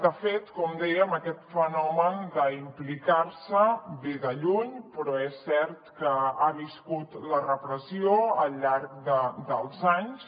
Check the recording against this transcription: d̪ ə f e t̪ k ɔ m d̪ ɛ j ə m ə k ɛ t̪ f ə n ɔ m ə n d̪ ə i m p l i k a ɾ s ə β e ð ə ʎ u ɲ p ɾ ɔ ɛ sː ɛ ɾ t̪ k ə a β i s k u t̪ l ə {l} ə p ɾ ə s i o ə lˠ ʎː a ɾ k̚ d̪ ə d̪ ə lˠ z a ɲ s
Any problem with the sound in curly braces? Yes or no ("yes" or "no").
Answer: yes